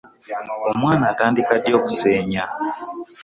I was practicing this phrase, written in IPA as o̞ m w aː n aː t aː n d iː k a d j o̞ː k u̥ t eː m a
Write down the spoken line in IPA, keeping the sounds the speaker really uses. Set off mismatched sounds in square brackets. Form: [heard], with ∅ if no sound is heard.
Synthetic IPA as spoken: o̞ m w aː n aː t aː n d [i] k a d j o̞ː k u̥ [s] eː [ɲ] a